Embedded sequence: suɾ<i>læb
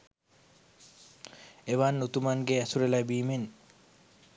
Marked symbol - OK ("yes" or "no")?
no